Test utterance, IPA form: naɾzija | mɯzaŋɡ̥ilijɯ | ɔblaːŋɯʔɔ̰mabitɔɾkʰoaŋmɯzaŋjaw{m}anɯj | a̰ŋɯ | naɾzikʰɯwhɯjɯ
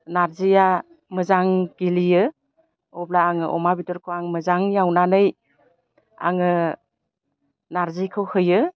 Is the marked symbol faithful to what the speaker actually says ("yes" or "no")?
no